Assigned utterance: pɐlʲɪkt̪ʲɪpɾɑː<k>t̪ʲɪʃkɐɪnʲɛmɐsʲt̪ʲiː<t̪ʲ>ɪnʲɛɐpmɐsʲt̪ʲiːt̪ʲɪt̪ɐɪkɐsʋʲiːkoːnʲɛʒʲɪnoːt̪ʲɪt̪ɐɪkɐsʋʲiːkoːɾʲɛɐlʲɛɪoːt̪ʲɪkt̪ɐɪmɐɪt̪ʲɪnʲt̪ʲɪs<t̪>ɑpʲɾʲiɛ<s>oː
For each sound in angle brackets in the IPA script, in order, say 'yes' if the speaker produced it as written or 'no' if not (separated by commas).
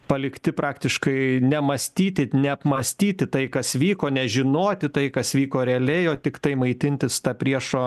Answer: yes, yes, yes, no